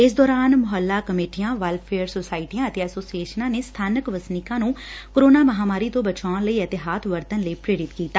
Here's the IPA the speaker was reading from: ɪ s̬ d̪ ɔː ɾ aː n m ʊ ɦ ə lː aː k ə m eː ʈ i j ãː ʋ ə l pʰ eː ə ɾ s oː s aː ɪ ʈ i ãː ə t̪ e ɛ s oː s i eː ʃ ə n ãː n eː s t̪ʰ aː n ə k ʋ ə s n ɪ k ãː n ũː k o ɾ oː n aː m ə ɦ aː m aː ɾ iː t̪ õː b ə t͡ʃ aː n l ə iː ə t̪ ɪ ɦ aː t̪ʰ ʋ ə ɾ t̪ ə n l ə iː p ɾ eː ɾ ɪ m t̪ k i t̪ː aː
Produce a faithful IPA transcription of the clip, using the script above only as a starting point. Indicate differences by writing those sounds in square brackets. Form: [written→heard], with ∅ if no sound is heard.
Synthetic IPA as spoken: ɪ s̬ d̪ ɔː ɾ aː n m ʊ ɦ ə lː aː k ə m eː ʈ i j ãː ʋ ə l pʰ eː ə ɾ s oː s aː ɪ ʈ i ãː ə t̪ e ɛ s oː s i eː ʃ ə n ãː n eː s t̪ʰ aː n ə k ʋ ə s n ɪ k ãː n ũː k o ɾ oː n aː m ə ɦ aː m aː ɾ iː t̪ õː b ə t͡ʃ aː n l ə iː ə t̪ ɪ ɦ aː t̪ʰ ʋ ə ɾ t̪ ə n l ə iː p ɾ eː ɾ ɪ [m→∅] t̪ k [i→iː] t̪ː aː

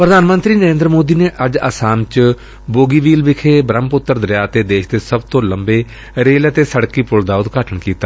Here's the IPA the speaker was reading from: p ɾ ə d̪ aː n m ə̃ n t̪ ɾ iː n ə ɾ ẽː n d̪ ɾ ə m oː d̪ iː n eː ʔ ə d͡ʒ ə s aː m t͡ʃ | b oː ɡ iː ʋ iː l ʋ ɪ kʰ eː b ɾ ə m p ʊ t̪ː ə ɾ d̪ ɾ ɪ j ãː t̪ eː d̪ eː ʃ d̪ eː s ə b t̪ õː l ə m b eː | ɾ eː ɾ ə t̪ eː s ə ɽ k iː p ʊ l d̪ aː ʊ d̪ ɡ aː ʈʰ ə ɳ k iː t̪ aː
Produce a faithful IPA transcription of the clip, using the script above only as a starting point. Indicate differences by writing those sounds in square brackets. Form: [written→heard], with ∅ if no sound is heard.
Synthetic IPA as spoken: p ɾ ə d̪ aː n m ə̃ n t̪ ɾ iː n ə ɾ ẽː n d̪ ɾ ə m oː d̪ iː n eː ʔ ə d͡ʒ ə s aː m t͡ʃ | b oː ɡ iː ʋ iː l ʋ ɪ kʰ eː b ɾ ə m p ʊ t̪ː ə ɾ d̪ ɾ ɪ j [ãː→aː] t̪ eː d̪ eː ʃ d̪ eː s ə b t̪ õː l ə m b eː | ɾ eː [ɾ→l] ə t̪ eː s ə ɽ k iː p ʊ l d̪ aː ʊ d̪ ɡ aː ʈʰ ə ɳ k iː t̪ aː

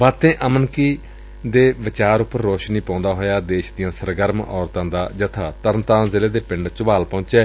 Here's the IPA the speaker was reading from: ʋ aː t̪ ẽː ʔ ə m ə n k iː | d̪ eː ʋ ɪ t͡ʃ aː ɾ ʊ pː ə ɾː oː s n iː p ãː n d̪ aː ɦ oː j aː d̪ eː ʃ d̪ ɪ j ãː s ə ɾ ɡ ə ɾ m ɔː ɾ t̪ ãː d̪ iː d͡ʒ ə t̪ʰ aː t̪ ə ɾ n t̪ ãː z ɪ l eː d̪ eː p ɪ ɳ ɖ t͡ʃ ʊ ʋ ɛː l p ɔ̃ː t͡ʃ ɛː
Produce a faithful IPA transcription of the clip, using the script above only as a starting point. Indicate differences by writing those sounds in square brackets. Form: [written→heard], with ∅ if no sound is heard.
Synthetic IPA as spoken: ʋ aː t̪ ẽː ʔ ə m ə n k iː | d̪ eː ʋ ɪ t͡ʃ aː ɾ ʊ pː ə ɾː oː [s→ʃ] n iː p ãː n d̪ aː ɦ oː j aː d̪ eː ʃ d̪ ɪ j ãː s ə ɾ ɡ ə ɾ m ɔː ɾ t̪ ãː d̪ [iː→aː] d͡ʒ ə t̪ʰ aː t̪ ə ɾ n t̪ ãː z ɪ l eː d̪ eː p ɪ ɳ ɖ t͡ʃ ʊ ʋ [ɛː→aː] l p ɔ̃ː t͡ʃ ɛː

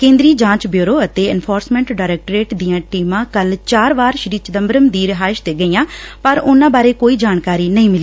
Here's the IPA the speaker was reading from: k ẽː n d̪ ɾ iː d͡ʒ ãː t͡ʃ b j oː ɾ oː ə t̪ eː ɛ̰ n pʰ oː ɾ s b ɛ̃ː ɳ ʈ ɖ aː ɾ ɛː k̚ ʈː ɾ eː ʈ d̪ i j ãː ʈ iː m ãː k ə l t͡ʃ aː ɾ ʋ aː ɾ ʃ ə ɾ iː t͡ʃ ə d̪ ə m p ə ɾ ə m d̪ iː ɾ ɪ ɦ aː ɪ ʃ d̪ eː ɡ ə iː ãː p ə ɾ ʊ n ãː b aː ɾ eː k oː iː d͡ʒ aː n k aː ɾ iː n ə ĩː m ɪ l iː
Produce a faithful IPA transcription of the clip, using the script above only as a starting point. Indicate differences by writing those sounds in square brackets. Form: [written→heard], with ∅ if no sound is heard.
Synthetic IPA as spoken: k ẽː n d̪ ɾ iː d͡ʒ ãː t͡ʃ b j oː ɾ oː ə t̪ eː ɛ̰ n pʰ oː ɾ s [b→m] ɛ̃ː ɳ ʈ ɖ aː ɾ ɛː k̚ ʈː ɾ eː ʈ d̪ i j ãː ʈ iː m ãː k ə l t͡ʃ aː ɾ ʋ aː ɾ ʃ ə ɾ iː t͡ʃ ə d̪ ə m [p→b] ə ɾ ə m d̪ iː ɾ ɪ ɦ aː ɪ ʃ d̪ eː ɡ ə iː ãː p ə ɾ ʊ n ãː b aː ɾ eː k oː iː d͡ʒ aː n k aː ɾ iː n ə ĩː m ɪ l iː

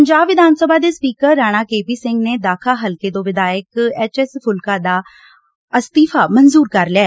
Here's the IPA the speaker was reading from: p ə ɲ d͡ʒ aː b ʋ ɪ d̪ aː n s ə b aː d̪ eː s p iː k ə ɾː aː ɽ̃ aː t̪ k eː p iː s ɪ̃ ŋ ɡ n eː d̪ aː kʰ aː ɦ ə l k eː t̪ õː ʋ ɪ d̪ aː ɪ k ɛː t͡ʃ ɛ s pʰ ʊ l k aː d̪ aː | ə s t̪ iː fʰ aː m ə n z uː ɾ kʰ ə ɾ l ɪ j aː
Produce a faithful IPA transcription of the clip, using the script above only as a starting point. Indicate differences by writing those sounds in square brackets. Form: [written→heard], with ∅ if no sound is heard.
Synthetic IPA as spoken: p ə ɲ d͡ʒ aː b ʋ ɪ d̪ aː n s ə b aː d̪ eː s p iː k ə ɾː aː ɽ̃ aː [t̪→∅] k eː p iː s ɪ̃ ŋ ɡ n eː d̪ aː kʰ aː ɦ ə l k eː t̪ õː ʋ ɪ d̪ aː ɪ k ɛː t͡ʃ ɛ s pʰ ʊ l k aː d̪ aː | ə s t̪ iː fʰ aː m ə n z uː ɾ [kʰ→k] ə ɾ l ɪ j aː

